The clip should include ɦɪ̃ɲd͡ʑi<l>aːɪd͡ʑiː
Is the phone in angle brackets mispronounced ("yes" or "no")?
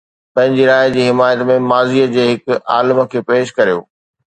yes